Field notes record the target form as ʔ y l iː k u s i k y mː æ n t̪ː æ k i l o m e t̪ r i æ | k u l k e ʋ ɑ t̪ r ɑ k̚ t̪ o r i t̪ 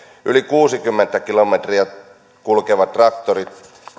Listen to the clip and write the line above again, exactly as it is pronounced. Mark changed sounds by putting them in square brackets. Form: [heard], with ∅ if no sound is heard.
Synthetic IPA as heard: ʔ y l [i] k [uː] s i k y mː [e] n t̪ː æ k i l o m e t̪ r i æ | k u l k e ʋ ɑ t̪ r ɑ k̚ t̪ o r i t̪